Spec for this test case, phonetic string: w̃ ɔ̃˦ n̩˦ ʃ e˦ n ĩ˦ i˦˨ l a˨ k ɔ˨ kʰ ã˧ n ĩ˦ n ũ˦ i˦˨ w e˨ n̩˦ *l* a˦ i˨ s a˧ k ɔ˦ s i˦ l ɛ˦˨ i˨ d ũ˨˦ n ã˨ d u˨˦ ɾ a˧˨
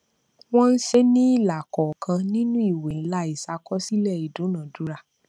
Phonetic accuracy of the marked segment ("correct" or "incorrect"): correct